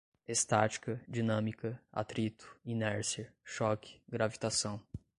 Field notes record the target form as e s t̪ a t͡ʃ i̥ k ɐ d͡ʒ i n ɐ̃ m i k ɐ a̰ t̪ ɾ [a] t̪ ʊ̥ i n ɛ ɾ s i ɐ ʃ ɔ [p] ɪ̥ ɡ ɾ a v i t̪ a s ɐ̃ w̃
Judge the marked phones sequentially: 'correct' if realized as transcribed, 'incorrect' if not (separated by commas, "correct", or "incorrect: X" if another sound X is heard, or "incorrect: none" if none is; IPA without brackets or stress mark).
incorrect: i, incorrect: k